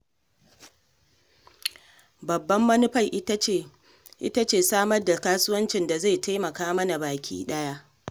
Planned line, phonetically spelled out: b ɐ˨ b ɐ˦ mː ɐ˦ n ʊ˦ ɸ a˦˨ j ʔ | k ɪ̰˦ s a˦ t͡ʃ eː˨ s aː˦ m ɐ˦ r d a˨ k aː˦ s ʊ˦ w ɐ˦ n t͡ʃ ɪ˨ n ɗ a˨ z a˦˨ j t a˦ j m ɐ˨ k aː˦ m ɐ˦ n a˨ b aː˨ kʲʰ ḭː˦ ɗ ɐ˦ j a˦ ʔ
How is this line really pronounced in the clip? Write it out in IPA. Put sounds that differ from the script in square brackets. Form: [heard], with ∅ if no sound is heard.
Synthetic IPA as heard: b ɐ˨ [bː] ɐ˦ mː ɐ˦ n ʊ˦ ɸ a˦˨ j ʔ | [ʔ] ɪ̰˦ [t] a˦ t͡ʃ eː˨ s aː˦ m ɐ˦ r d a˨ k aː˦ s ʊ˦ w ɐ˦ n t͡ʃ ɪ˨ n [d] a˨ z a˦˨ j t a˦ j m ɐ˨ k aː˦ m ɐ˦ n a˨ b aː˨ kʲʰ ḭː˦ ɗ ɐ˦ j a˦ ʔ